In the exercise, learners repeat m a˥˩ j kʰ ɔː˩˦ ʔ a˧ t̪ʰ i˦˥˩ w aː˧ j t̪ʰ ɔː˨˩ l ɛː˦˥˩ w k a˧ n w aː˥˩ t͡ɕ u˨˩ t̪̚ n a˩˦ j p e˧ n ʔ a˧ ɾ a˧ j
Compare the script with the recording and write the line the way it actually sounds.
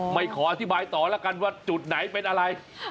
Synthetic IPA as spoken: m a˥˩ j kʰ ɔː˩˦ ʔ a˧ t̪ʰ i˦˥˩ b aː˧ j t̪ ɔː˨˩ l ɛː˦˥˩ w k a˧ n w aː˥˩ t͡ɕ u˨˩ t̪̚ n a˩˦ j p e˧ n ʔ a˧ ɾ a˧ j